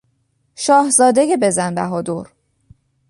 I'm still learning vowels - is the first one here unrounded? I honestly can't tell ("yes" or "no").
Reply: no